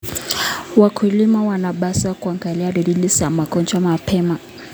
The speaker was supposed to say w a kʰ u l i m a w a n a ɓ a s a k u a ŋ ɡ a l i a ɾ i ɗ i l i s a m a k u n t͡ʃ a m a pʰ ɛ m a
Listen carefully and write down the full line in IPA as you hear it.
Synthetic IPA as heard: w a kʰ u l i m a w a n a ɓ a s a k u a ŋ ɡ a l i a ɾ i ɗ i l i s a m a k ɔ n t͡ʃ a m a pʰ ɛ m a